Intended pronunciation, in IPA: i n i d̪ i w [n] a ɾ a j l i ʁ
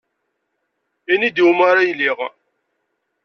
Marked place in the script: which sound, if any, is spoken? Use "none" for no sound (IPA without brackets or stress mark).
m